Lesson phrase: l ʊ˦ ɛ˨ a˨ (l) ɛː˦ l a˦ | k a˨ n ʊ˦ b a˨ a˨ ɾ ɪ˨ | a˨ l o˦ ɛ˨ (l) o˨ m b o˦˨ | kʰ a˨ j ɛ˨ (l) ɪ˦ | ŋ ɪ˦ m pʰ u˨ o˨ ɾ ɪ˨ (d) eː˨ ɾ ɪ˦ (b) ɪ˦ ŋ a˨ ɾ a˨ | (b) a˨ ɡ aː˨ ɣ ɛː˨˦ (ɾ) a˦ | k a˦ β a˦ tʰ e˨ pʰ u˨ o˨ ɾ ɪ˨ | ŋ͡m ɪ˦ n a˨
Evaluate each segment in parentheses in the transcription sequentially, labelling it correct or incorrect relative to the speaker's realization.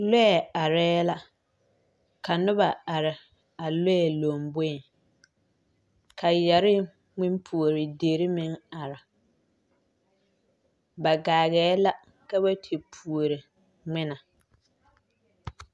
incorrect: ɾ, correct, incorrect: ɾ, correct, incorrect: m, correct, incorrect: l

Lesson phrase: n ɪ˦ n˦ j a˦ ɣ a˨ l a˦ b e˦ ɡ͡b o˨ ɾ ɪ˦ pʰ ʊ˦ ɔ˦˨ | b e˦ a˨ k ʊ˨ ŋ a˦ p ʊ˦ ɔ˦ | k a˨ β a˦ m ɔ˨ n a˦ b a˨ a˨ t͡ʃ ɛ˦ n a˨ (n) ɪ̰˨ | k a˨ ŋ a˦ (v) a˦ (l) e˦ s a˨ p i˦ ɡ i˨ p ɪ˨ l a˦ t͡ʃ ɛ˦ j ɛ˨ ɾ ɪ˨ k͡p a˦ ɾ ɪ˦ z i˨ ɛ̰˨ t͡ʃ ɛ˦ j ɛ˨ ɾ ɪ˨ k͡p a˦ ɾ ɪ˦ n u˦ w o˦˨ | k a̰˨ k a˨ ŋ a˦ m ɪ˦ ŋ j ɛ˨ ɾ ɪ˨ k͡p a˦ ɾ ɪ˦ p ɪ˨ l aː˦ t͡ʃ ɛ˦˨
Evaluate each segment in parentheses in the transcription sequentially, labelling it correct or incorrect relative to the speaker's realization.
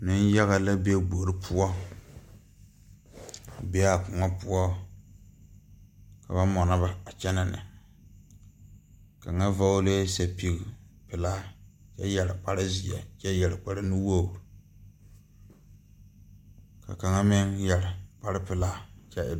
correct, correct, correct

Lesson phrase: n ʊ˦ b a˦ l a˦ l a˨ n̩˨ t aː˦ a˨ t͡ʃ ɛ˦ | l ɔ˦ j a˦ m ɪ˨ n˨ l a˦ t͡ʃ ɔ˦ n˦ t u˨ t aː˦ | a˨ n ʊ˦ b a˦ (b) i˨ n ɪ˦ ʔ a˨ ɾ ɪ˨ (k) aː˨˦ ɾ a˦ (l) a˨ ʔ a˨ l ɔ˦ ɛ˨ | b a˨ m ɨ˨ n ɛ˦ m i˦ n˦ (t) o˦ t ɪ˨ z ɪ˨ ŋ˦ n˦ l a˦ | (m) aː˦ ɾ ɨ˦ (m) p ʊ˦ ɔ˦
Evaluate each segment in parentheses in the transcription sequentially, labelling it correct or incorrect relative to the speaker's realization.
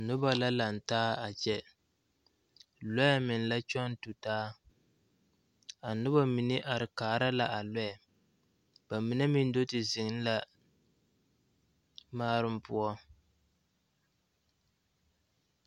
incorrect: m, correct, correct, incorrect: d, correct, correct

